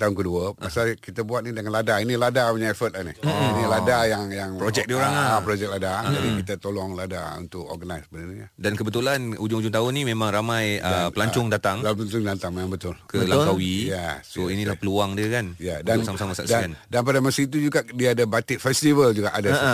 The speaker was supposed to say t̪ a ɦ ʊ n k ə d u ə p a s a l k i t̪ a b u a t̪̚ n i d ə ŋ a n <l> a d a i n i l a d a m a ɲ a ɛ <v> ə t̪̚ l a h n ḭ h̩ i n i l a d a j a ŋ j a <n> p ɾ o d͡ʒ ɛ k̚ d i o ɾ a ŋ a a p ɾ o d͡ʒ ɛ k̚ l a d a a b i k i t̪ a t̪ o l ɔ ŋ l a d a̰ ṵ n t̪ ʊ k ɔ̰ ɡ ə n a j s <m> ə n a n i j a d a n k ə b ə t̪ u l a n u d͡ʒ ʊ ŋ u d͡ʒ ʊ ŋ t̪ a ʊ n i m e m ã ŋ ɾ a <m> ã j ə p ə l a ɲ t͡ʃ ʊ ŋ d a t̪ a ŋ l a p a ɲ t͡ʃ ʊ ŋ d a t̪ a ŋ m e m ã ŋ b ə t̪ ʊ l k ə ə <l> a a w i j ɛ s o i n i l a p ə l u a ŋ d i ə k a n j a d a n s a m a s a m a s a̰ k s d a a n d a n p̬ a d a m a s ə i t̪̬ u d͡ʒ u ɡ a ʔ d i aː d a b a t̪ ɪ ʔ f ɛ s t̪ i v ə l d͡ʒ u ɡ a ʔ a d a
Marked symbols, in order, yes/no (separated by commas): yes, no, no, no, yes, yes